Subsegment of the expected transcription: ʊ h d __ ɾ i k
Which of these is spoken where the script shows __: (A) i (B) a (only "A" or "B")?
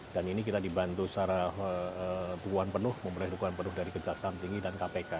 B